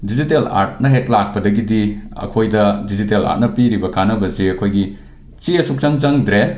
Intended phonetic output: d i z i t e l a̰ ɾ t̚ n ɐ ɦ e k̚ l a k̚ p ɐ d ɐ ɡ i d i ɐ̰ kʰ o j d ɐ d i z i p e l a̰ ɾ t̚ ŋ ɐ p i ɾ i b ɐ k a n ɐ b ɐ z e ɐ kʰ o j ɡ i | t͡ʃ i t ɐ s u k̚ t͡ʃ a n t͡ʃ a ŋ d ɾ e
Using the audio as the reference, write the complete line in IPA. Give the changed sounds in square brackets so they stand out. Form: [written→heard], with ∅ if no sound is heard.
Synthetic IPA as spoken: d i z i t e l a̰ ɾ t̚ n ɐ ɦ e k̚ l a k̚ p ɐ d ɐ ɡ i d i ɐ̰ kʰ o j d ɐ d i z i [p→t] e l a̰ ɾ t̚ [ŋ→n] ɐ p i ɾ i b ɐ k a n ɐ b ɐ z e ɐ kʰ o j ɡ i | t͡ʃ i [t→∅] ɐ s u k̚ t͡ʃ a [n→ŋ] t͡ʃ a ŋ d ɾ e